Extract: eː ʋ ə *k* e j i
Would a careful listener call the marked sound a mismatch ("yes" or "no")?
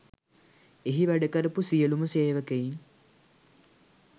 no